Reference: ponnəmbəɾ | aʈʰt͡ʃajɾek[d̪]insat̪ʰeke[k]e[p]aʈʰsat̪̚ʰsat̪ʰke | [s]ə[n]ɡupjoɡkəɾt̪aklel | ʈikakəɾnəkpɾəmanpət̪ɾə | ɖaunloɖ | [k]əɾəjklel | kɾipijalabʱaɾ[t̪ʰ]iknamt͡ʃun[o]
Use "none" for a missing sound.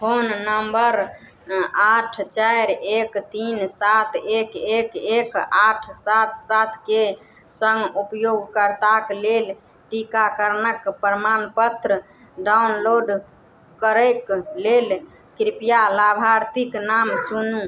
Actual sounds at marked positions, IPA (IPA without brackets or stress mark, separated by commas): t̪, k, k, s, ŋ, k, t̪, u